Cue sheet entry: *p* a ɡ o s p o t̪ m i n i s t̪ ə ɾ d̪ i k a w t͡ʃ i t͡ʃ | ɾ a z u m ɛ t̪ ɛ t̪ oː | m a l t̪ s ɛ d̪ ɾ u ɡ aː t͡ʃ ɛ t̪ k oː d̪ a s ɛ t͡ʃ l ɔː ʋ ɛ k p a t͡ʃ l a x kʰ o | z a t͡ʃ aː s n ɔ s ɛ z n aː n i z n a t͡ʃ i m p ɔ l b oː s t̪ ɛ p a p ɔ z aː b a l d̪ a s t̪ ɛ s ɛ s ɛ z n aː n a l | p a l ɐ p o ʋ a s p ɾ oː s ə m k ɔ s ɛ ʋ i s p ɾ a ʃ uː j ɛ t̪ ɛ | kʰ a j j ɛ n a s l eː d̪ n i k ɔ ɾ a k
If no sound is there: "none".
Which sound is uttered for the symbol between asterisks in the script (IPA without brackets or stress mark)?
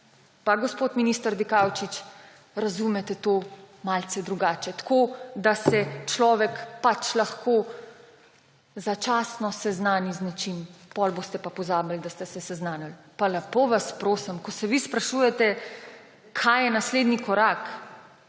p